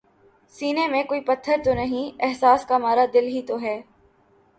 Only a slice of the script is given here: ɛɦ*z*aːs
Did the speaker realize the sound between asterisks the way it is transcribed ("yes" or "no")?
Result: no